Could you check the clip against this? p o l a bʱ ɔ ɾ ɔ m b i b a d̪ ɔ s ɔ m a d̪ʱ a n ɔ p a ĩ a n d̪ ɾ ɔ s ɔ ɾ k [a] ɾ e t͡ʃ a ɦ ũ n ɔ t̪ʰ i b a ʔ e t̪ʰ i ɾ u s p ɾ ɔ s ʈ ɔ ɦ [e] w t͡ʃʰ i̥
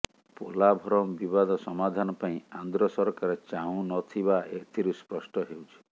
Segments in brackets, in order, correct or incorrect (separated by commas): correct, correct